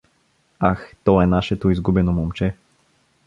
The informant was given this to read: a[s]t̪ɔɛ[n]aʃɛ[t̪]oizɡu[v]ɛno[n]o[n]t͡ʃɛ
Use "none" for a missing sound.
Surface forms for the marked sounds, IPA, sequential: x, n, t̪, b, m, m

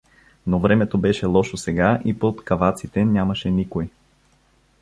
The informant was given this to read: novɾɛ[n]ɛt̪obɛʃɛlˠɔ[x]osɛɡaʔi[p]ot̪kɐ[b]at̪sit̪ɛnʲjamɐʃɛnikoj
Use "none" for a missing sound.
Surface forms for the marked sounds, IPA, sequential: m, ʃ, p, v

